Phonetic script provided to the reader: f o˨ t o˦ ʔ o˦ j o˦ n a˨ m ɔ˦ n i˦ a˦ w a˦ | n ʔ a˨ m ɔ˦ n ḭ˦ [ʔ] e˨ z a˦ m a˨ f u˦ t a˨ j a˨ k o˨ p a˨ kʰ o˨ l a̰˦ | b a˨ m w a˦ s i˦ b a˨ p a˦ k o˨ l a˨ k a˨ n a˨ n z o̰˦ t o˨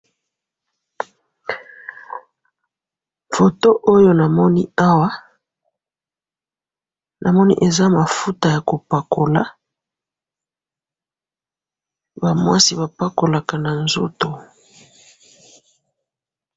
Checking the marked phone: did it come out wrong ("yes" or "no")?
no